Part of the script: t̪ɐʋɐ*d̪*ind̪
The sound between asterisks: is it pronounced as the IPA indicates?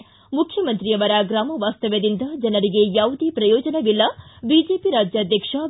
yes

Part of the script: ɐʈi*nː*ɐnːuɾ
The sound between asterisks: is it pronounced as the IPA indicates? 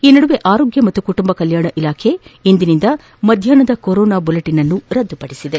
no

